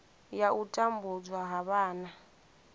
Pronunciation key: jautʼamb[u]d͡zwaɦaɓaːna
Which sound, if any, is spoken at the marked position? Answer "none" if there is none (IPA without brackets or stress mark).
u